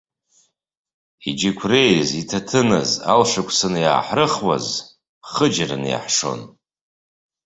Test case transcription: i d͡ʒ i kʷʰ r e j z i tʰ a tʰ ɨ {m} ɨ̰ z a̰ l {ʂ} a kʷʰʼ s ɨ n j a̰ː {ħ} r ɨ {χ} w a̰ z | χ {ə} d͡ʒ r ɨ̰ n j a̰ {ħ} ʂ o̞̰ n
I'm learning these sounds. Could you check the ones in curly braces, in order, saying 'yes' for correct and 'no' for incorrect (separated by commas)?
no, yes, yes, yes, yes, yes